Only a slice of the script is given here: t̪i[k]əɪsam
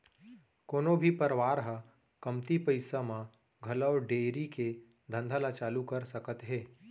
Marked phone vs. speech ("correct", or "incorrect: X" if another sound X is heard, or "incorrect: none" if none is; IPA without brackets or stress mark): incorrect: p